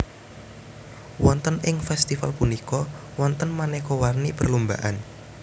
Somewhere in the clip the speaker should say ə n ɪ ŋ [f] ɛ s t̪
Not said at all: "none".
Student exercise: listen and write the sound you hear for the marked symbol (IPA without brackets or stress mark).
f